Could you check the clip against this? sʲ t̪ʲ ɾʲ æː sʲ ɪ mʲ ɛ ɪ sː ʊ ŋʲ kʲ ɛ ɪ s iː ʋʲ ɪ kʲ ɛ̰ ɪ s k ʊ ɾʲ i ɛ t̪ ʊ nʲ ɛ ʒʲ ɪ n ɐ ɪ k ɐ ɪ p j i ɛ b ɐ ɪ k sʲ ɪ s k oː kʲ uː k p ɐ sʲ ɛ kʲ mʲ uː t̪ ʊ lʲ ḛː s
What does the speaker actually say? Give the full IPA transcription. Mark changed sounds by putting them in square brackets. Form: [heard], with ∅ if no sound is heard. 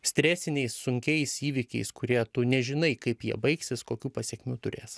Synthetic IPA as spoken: sʲ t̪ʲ ɾʲ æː sʲ ɪ [nʲ] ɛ ɪ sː ʊ ŋʲ kʲ ɛ ɪ s iː ʋʲ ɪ kʲ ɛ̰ ɪ s k ʊ ɾʲ i ɛ t̪ ʊ nʲ ɛ ʒʲ ɪ n ɐ ɪ k ɐ ɪ p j i ɛ b ɐ ɪ k sʲ ɪ s k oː kʲ uː [∅] p ɐ sʲ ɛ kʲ mʲ uː t̪ ʊ [ɾʲ] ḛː s